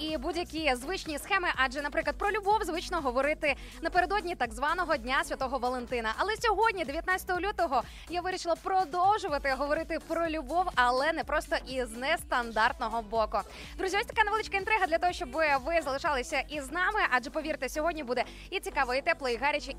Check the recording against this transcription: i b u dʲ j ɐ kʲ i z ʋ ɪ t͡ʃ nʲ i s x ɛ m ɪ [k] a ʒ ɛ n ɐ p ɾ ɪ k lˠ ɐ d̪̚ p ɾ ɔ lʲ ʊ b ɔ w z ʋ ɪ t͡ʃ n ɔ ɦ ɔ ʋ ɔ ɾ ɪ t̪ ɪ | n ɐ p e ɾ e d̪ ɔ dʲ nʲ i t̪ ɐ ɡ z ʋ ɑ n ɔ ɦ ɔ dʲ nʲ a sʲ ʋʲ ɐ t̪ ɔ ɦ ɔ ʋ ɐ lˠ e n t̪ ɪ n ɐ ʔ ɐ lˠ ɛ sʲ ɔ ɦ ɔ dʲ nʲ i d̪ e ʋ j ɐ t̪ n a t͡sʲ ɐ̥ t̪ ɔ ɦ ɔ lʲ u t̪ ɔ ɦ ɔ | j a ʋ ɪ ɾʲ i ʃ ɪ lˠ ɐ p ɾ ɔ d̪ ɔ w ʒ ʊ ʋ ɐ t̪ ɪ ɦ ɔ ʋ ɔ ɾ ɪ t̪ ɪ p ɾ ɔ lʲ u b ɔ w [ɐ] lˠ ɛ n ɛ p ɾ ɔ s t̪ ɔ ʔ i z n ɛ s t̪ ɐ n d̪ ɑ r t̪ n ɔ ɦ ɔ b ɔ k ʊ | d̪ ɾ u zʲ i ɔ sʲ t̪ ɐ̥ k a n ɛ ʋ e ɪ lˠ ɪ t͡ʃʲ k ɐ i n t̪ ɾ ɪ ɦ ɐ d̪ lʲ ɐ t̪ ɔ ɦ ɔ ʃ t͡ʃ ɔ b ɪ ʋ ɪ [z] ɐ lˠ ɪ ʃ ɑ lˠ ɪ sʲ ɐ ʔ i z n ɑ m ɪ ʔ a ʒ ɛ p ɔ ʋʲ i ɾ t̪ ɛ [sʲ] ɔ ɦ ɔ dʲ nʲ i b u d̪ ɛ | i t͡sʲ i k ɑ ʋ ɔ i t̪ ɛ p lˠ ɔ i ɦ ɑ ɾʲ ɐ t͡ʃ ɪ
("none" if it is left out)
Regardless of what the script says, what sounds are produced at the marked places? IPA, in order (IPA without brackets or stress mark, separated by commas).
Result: ʔ, ɐ, z, sʲ